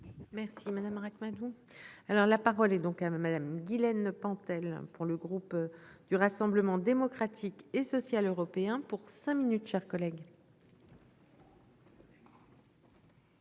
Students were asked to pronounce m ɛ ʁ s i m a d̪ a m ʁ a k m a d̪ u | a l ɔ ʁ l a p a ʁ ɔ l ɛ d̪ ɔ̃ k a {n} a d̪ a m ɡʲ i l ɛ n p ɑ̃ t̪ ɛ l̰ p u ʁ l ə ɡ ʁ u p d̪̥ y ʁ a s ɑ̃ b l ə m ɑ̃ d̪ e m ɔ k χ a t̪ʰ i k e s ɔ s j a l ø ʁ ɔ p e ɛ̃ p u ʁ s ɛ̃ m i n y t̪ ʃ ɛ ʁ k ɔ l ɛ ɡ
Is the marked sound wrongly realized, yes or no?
yes